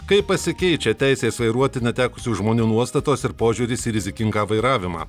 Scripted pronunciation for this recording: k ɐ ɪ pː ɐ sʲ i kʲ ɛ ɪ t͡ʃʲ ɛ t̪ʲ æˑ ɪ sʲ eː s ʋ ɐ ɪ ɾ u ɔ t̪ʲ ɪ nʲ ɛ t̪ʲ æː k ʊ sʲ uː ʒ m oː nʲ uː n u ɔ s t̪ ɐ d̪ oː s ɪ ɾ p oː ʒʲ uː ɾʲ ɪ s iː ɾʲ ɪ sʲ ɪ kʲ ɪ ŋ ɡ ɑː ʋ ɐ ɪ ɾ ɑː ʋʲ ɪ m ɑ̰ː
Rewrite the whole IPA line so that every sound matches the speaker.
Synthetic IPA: k ɐ ɪ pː ɐ sʲ ɪ kʲ ɛ ɪ t͡ʃʲ ɛ t̪ʲ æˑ ɪ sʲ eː s ʋ ɐ ɪ ɾ u ɔ t̪ʲ ɪ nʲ ɛ t̪ʲ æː k ʊ sʲ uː ʒ m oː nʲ uː n u ɔ s t̪ ɐ t̪ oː s ɪ ɾ p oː ʒʲ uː ɾʲ ɪ s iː ɾʲ ɪ zʲ ɪ kʲ ɪ ŋ ɡ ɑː ʋ ɐ ɪ ɾ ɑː ʋʲ ɪ m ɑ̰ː